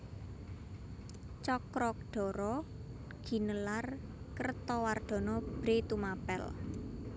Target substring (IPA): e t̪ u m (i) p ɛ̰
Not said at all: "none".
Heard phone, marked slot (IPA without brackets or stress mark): a